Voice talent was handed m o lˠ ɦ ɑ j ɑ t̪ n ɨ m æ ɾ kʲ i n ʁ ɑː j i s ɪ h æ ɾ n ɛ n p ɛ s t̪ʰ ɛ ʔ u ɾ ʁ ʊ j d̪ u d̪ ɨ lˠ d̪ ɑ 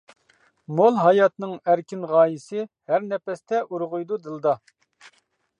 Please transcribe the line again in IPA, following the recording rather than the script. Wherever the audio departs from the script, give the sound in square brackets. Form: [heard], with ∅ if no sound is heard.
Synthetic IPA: m o lˠ ɦ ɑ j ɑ t̪ n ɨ [ŋ] æ ɾ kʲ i n ʁ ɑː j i s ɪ h æ ɾ n ɛ [∅] p ɛ s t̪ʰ ɛ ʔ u ɾ ʁ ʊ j d̪ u d̪ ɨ lˠ d̪ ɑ